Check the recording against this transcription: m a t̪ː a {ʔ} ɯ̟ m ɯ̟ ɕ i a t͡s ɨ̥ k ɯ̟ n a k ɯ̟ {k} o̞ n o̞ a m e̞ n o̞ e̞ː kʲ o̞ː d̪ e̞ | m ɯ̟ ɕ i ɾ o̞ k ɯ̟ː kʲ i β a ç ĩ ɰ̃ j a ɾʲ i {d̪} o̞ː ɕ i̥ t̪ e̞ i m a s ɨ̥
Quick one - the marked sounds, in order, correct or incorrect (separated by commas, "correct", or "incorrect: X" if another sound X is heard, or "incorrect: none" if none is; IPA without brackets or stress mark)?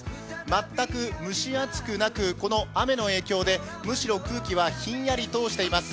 incorrect: k, correct, incorrect: t̪